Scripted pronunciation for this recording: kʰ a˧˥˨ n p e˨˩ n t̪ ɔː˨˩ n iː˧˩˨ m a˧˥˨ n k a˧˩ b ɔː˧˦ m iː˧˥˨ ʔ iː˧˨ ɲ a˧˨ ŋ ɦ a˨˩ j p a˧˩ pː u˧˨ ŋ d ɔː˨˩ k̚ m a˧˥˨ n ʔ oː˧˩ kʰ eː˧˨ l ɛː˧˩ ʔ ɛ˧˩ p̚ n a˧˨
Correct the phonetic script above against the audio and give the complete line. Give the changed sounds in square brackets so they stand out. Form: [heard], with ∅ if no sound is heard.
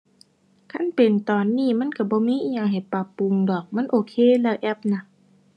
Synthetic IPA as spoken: kʰ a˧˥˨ n p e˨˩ n t̪ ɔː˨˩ [nː] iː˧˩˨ m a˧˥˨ n k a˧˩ b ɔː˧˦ m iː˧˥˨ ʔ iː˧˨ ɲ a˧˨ ŋ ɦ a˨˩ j p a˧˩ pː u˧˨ ŋ d ɔː˨˩ k̚ m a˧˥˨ n ʔ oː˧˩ kʰ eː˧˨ l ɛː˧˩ ʔ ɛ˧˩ p̚ n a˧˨